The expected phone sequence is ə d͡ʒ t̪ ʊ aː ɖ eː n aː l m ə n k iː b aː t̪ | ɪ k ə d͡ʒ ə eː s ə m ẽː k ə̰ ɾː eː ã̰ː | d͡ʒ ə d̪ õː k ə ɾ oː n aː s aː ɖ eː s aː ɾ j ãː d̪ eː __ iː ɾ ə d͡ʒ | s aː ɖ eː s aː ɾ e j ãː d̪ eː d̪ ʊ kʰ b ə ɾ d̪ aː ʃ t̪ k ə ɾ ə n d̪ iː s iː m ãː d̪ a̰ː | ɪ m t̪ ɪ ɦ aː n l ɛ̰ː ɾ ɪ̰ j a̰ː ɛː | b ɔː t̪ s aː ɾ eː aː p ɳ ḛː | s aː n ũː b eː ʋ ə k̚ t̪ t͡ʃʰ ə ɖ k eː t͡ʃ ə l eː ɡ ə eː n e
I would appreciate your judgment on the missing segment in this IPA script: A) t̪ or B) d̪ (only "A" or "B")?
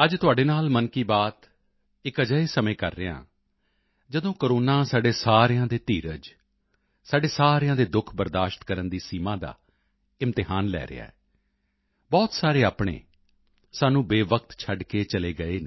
A